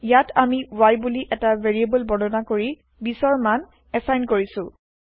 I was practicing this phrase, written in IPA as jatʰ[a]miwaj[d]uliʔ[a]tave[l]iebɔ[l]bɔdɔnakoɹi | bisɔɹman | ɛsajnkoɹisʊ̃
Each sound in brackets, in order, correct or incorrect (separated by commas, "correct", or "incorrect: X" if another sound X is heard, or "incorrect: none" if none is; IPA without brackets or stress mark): correct, incorrect: b, incorrect: ɛ, incorrect: ɹ, correct